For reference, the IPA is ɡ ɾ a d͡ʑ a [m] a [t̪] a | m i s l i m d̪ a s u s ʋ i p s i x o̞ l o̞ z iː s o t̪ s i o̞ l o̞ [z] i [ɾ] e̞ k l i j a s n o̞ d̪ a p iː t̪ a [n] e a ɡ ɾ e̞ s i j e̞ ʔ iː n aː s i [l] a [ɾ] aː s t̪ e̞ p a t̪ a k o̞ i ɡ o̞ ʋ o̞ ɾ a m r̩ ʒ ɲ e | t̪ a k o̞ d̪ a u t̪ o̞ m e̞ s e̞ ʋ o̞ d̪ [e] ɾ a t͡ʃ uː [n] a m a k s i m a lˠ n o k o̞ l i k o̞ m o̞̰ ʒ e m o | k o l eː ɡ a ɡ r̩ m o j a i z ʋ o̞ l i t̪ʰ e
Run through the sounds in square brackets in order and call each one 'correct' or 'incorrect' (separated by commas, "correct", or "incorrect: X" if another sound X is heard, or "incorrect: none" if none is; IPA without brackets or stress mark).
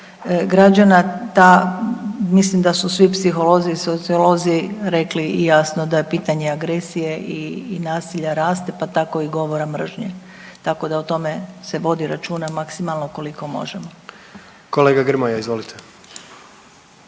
incorrect: n, correct, correct, correct, incorrect: ɲ, incorrect: ʎ, correct, incorrect: i, correct